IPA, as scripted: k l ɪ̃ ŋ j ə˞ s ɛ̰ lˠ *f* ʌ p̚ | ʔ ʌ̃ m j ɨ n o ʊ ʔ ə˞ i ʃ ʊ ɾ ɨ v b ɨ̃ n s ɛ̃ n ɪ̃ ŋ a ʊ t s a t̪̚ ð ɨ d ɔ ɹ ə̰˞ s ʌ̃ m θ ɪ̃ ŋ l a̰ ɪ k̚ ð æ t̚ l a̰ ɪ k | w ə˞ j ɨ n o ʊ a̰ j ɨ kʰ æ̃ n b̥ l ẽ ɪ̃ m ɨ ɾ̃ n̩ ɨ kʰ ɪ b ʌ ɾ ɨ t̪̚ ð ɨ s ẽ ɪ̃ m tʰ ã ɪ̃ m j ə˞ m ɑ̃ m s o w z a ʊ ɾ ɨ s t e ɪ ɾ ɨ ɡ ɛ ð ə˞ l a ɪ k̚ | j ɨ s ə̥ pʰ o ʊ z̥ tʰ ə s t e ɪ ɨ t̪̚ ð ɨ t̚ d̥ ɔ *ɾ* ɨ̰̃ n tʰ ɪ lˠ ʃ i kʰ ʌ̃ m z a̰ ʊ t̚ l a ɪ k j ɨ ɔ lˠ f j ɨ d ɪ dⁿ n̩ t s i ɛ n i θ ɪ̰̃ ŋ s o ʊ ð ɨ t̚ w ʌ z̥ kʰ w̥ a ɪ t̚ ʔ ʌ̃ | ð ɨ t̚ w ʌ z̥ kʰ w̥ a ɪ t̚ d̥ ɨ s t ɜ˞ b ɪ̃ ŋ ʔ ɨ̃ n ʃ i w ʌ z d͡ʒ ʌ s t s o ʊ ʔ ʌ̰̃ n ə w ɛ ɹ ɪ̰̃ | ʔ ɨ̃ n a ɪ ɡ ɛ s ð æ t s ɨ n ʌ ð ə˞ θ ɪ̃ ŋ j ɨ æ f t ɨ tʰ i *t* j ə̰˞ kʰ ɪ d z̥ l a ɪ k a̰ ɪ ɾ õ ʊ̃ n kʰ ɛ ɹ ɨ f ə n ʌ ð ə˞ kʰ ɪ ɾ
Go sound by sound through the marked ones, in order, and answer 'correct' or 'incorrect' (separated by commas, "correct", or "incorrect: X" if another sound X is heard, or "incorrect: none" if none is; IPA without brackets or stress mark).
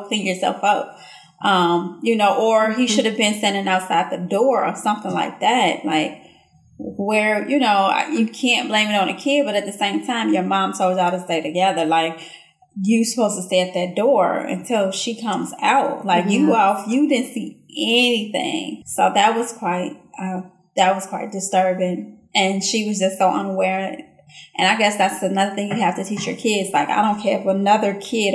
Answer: correct, incorrect: ɹ, incorrect: t͡ʃ